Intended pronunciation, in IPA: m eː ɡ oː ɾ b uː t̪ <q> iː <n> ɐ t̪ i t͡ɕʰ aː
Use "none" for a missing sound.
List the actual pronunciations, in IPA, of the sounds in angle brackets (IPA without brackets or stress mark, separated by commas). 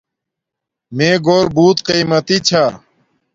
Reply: q, m